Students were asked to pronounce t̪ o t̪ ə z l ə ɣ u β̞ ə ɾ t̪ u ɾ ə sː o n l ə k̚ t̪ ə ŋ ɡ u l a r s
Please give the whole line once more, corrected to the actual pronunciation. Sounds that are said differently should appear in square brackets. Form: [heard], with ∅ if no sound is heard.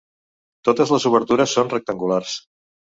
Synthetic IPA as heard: t̪ o t̪ ə z l ə [z] u β̞ ə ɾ t̪ u ɾ ə sː o n [r] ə k̚ t̪ ə ŋ ɡ u l a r s